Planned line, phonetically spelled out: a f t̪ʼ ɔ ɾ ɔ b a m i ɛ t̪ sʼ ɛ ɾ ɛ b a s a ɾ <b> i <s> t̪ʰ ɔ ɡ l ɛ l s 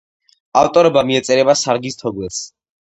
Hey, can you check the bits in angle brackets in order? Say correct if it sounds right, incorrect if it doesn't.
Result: incorrect: ɡ, correct

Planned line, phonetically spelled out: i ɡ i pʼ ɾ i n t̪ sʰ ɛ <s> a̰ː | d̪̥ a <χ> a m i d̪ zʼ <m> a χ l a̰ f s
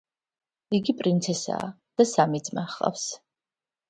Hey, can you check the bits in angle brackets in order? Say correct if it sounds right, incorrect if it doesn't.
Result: correct, incorrect: s, correct

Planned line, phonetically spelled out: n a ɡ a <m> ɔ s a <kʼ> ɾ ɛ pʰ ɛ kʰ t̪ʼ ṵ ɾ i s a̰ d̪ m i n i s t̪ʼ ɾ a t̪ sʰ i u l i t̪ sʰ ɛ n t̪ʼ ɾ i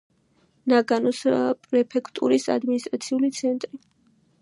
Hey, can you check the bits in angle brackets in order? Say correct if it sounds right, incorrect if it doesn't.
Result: incorrect: n, incorrect: pʼ

